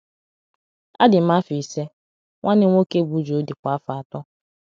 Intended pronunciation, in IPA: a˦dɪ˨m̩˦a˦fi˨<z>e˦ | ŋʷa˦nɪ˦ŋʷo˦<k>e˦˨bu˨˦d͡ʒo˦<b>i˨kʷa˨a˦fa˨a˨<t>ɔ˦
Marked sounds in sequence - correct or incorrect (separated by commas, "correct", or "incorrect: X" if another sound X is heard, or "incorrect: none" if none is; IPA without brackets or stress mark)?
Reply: incorrect: s, correct, incorrect: d, correct